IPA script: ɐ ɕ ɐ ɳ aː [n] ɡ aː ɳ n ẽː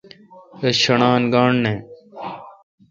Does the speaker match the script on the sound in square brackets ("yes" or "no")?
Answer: yes